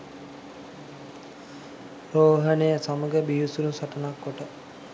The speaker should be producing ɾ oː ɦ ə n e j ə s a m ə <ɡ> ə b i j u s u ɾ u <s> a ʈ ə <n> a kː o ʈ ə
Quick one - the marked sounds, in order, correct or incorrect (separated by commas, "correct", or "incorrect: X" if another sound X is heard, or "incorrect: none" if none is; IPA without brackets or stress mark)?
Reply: correct, correct, correct